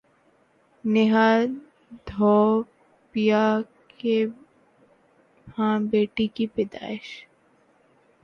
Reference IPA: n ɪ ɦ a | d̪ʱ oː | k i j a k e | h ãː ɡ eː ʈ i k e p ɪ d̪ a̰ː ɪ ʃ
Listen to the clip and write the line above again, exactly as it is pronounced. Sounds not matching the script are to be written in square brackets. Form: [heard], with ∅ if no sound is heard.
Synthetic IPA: n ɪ ɦ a | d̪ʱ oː | [p] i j a k e | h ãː [b] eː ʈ i k [i] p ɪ d̪ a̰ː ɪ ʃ

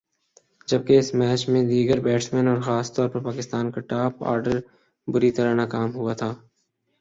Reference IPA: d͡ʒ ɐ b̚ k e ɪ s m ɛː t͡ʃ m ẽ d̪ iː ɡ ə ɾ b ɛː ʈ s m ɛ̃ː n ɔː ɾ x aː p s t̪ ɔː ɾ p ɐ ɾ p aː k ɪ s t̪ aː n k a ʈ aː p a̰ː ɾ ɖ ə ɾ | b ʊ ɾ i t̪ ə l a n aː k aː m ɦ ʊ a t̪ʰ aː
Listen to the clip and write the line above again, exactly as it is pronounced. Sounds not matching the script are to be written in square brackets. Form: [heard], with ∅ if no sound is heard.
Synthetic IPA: d͡ʒ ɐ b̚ k e ɪ s m ɛː t͡ʃ m ẽ d̪ iː ɡ ə ɾ b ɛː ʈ s m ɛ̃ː n ɔː ɾ x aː [∅] s t̪ ɔː ɾ p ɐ ɾ p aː k ɪ s t̪ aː n k a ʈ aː p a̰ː ɾ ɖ ə ɾ | b ʊ ɾ i t̪ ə [ɾ] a n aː k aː m ɦ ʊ a t̪ʰ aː

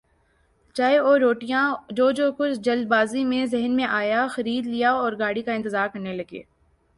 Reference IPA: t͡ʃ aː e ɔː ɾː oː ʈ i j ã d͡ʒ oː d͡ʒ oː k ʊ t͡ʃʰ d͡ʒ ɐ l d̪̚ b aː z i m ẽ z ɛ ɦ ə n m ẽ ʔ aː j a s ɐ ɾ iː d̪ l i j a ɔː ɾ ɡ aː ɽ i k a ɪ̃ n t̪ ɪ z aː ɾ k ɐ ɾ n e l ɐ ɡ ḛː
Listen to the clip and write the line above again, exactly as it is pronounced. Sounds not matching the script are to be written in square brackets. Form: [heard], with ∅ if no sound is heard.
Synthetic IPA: t͡ʃ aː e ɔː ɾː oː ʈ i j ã d͡ʒ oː d͡ʒ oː k ʊ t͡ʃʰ d͡ʒ ɐ l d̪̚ b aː z i m ẽ z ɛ ɦ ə n m ẽ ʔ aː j a [x] ɐ ɾ iː d̪ l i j a ɔː ɾ ɡ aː ɽ i k a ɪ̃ n t̪ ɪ z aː ɾ k ɐ ɾ n e l ɐ ɡ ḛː

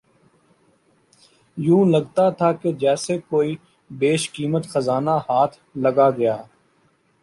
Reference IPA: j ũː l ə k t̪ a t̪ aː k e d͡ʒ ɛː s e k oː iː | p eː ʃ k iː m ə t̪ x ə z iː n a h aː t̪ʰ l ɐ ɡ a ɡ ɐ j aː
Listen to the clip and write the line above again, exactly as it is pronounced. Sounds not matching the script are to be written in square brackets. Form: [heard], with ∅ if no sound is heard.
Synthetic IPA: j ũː l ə [ɡ] t̪ a [t̪ʰ] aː k e d͡ʒ ɛː s e k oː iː | [b] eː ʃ k iː m ə t̪ x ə z [aː] n a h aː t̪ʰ l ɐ ɡ a ɡ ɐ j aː

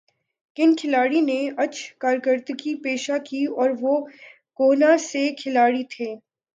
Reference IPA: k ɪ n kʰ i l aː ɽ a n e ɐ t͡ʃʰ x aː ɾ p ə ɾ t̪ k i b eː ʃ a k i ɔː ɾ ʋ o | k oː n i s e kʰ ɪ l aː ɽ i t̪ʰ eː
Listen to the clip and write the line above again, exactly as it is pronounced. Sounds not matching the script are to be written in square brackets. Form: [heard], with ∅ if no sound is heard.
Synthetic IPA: k ɪ n kʰ [ɪ] l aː ɽ [i] n e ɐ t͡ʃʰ [k] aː ɾ [k] ə ɾ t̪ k i [p] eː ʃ a k i ɔː ɾ ʋ o | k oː n [a] s e kʰ ɪ l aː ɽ i t̪ʰ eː

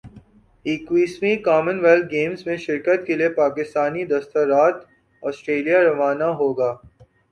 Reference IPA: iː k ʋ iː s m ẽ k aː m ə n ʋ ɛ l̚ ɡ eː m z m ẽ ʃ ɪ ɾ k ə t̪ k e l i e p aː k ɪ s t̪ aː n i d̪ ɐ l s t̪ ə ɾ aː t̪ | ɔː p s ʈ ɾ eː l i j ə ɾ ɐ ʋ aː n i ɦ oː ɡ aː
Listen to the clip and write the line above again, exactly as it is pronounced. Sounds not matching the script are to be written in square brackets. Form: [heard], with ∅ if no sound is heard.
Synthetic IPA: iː k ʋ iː s m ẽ k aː m ə n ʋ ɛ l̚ ɡ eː m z m ẽ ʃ ɪ ɾ k ə t̪ k e l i e p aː k ɪ s t̪ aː n i d̪ ɐ [∅] s t̪ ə ɾ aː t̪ | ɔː [∅] s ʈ ɾ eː l i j [a] ɾ ɐ ʋ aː n [a] ɦ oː ɡ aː

